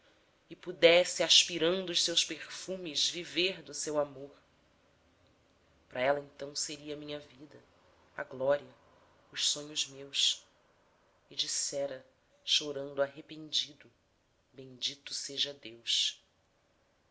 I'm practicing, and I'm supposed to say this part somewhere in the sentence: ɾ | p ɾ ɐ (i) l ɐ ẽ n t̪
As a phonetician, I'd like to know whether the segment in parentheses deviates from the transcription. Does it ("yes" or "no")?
yes